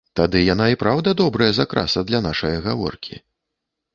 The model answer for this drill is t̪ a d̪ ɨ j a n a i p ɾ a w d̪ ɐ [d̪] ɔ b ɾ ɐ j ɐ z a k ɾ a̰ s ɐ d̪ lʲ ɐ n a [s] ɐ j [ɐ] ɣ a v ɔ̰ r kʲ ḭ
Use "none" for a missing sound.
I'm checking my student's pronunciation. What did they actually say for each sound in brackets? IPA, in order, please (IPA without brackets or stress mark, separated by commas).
d̪, ʂ, ɐ